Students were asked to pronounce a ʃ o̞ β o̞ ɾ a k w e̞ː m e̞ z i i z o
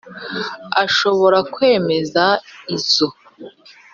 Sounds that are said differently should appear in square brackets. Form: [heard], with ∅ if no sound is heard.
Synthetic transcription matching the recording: a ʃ o̞ β o̞ ɾ a k w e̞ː m e̞ z [a] i z o